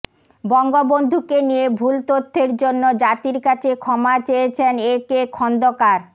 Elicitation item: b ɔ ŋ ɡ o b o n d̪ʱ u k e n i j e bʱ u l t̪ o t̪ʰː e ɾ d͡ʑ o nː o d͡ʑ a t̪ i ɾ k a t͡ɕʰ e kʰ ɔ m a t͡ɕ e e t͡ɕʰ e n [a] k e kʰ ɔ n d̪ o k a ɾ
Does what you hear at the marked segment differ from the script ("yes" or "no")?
yes